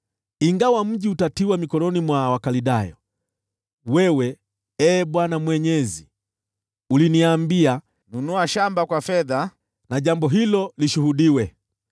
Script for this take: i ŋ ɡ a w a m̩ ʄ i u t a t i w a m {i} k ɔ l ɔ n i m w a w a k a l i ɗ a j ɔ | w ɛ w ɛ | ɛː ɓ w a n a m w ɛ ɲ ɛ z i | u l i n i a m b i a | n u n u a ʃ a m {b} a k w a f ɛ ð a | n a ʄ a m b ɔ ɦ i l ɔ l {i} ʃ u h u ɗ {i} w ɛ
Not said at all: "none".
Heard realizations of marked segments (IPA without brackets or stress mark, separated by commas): i, b, i, i